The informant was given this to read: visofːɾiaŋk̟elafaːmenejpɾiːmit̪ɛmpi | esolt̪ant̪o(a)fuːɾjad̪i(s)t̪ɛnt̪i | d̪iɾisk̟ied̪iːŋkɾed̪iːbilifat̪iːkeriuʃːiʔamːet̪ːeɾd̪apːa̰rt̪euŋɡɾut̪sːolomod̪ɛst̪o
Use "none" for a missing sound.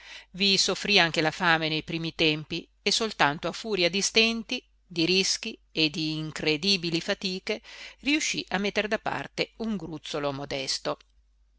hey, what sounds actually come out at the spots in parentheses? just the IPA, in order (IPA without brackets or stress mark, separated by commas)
a, s